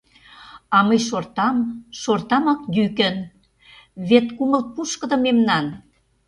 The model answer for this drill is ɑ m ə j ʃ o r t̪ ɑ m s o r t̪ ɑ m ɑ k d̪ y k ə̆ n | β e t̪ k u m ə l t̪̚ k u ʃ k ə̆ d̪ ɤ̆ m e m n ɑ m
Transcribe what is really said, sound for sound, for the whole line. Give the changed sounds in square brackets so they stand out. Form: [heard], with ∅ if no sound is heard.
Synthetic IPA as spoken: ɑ m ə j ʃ o r t̪ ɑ m [ʃ] o r t̪ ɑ m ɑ k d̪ y k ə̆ n | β e t̪ k u m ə l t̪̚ [p] u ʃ k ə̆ d̪ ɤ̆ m e m n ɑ [n]